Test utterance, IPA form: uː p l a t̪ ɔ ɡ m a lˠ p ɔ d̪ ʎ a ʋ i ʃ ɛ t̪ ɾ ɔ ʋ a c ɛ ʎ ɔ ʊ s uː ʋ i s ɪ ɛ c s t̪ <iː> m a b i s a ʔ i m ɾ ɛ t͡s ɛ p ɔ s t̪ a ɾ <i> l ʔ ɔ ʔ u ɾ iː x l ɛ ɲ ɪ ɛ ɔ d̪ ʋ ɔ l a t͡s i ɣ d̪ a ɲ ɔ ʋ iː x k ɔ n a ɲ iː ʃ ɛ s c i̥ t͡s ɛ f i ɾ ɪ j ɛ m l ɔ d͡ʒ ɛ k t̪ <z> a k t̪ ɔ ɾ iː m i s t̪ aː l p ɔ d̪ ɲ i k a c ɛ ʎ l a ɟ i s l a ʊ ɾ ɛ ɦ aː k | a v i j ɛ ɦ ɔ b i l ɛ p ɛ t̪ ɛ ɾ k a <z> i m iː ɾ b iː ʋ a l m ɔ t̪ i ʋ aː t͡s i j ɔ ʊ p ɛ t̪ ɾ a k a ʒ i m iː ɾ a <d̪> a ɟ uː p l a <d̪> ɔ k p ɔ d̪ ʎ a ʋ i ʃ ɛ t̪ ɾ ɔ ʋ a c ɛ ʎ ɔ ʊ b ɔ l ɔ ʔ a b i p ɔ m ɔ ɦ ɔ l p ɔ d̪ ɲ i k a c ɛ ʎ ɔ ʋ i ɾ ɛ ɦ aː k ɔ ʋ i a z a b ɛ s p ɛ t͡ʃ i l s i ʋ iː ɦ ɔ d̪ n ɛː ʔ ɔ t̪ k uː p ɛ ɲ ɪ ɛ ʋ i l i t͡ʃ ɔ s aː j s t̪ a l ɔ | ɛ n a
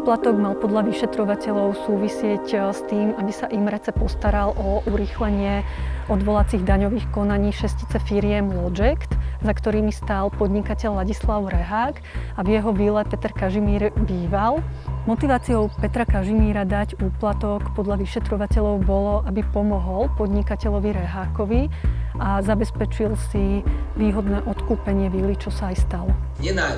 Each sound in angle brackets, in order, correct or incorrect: correct, incorrect: a, correct, incorrect: ʒ, correct, incorrect: t̪

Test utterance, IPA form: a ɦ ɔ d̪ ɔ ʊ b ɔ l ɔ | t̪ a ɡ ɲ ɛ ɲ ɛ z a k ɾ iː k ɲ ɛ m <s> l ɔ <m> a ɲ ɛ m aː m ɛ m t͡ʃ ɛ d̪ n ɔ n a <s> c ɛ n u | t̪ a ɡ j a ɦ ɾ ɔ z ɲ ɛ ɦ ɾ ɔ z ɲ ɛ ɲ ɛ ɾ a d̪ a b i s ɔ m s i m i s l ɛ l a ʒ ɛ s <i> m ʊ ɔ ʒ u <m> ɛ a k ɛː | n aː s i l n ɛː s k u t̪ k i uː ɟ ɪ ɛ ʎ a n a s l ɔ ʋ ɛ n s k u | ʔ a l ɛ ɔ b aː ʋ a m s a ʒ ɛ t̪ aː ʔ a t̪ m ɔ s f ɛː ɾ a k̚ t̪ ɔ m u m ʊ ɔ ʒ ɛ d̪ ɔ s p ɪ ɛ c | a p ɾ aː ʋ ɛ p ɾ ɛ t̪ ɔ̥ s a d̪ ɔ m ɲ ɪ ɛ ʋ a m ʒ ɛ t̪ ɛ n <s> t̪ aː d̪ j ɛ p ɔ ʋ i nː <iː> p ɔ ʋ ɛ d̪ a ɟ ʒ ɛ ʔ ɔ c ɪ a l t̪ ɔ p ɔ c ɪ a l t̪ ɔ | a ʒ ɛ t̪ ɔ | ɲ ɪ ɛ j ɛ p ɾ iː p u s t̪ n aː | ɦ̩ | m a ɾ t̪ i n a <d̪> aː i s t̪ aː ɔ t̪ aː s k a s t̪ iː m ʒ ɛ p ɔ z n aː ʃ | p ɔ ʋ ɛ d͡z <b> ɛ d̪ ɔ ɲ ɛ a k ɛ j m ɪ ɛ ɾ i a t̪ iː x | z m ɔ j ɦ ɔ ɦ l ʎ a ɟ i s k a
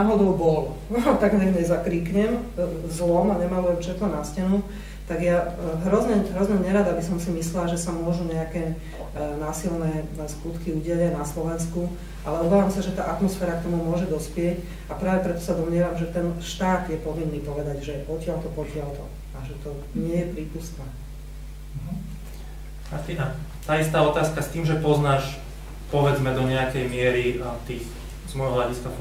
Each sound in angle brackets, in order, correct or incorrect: incorrect: z, correct, correct, incorrect: a, incorrect: ɲ, incorrect: ʃ, correct, incorrect: t̪, incorrect: m

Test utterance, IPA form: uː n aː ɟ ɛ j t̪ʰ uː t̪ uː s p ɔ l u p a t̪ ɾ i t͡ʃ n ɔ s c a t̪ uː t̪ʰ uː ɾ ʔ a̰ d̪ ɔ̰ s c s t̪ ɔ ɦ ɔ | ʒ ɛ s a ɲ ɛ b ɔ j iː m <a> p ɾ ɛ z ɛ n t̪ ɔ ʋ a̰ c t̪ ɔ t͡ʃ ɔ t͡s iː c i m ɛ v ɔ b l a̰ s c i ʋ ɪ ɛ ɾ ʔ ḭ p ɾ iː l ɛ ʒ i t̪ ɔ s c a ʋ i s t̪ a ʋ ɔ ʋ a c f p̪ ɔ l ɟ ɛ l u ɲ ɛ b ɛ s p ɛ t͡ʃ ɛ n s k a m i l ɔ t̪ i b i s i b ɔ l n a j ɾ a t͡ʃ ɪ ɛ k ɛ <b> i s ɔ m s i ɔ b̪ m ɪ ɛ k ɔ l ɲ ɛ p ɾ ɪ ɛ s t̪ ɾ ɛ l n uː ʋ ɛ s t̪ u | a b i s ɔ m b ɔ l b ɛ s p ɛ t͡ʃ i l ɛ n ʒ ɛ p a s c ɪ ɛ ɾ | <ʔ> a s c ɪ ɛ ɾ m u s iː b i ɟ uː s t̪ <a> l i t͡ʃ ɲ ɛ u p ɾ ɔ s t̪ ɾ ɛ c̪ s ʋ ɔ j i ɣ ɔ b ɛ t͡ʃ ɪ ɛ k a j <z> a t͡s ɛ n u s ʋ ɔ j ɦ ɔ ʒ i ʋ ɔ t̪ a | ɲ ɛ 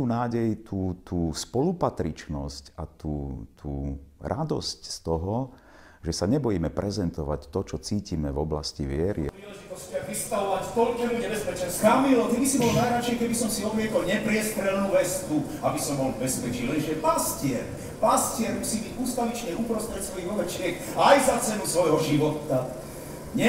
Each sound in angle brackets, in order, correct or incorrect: incorrect: ɛ, correct, incorrect: p, correct, correct

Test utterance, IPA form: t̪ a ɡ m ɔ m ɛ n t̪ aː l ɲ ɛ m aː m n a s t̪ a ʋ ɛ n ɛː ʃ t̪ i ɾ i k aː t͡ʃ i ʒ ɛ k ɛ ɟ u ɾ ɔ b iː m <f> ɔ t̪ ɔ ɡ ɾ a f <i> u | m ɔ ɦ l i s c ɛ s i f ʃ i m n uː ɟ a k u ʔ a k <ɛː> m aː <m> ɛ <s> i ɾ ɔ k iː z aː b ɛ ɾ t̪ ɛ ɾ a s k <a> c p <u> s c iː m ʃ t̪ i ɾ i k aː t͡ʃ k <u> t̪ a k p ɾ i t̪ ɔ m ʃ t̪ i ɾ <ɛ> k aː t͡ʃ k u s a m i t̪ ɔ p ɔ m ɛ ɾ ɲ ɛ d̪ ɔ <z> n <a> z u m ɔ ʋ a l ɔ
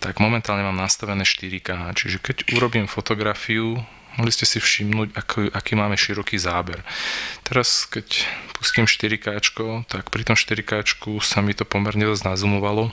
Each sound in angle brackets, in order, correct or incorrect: correct, correct, incorrect: iː, correct, incorrect: ʃ, incorrect: ɛ, correct, incorrect: ɔ, incorrect: i, correct, correct

